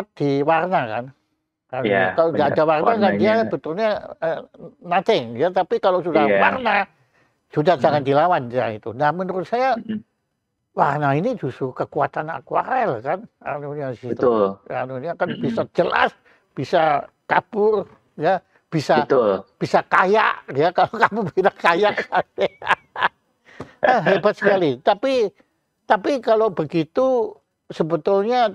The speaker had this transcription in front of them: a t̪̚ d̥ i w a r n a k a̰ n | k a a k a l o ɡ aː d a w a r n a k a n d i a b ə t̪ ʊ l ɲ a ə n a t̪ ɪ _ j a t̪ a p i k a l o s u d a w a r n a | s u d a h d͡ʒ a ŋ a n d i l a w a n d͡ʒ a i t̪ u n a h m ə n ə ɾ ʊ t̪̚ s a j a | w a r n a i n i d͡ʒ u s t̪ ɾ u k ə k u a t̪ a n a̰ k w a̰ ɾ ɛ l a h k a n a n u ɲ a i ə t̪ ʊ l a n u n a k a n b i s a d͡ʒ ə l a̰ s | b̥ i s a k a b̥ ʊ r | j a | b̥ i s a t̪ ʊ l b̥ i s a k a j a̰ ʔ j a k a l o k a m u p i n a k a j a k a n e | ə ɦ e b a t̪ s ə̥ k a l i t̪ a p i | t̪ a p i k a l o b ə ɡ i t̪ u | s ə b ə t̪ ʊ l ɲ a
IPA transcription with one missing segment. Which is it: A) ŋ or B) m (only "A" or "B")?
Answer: A